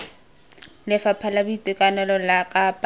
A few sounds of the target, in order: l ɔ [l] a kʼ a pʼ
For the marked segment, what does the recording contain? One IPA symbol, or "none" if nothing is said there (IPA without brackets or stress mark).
l